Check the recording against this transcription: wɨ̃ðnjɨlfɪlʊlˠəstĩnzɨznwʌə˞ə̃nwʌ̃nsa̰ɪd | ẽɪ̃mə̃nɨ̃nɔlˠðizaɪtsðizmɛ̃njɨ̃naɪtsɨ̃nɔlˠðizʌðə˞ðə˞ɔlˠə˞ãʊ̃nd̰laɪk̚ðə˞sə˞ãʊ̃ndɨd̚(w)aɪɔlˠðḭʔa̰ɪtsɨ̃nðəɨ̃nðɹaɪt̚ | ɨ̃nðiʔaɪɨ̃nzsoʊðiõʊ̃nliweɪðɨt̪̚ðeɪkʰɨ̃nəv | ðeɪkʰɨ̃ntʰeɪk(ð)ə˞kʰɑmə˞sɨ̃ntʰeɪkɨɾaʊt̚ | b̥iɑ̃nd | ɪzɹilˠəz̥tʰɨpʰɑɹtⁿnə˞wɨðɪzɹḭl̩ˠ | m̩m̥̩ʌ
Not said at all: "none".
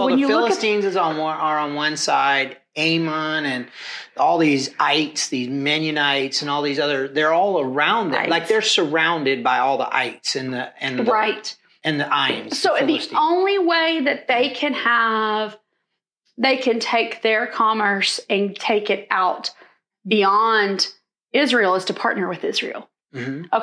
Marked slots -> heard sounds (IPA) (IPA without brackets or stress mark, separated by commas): b, ð